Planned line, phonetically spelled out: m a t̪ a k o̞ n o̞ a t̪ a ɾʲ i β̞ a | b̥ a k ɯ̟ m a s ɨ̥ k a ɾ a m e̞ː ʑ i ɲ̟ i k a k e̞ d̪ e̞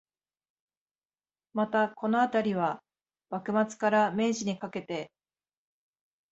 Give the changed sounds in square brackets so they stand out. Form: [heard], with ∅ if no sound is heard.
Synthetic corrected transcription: m a t̪ a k o̞ n o̞ a t̪ a ɾʲ i β̞ a | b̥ a k ɯ̟ m a [t͡s] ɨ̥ k a ɾ a m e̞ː ʑ i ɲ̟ i k a k e̞ [t̪] e̞